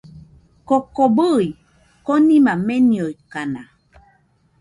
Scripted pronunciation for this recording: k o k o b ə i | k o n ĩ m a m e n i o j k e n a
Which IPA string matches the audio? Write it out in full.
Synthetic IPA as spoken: k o k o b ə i | k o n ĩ m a m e n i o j k a n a

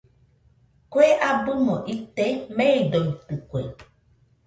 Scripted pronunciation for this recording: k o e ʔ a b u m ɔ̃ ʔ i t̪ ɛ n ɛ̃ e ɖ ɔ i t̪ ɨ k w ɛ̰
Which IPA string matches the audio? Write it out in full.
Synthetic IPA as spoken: k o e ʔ a b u m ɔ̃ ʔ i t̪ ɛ m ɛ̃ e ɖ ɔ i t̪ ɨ k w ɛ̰

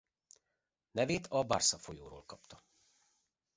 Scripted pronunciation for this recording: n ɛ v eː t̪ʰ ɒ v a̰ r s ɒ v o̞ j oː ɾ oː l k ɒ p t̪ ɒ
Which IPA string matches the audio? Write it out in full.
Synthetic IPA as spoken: n ɛ v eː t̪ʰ ɒ b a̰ r s ɒ f o̞ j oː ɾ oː l k ɒ p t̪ ɒ

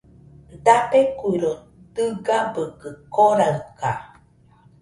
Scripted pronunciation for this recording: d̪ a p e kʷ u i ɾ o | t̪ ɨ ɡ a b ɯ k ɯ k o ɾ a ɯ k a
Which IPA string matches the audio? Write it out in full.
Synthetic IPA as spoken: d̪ a p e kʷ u i ɾ o | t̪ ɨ ɡ a b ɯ k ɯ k o ɾ a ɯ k a

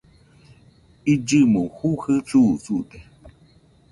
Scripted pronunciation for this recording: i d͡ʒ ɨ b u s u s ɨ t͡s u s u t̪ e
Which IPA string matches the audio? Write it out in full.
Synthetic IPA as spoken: i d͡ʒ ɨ m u h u h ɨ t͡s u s u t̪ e

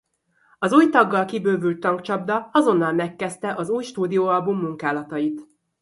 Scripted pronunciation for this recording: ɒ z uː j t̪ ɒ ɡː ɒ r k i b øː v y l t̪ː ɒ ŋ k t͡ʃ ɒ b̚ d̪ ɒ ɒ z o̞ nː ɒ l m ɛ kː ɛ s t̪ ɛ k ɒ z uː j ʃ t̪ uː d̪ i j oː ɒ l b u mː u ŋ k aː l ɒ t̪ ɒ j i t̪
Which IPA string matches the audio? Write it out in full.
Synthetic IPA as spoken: ɒ z uː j t̪ ɒ ɡː ɒ l k i b øː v y l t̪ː ɒ ŋ k t͡ʃ ɒ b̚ d̪ ɒ ɒ z o̞ nː ɒ l m ɛ kː ɛ s t̪ ɛ ʔ ɒ z uː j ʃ t̪ uː d̪ i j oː ɒ l b u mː u ŋ k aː l ɒ t̪ ɒ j i t̪

